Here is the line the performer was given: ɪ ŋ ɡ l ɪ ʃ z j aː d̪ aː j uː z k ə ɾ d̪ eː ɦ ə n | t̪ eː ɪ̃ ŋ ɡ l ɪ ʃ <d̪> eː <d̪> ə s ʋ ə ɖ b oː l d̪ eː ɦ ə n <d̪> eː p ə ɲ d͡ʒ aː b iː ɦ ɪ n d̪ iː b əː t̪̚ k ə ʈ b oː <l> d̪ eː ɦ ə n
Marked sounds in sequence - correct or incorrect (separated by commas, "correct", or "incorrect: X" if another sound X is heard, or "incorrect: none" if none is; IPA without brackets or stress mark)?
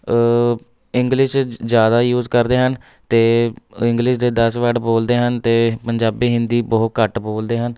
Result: correct, correct, incorrect: t̪, correct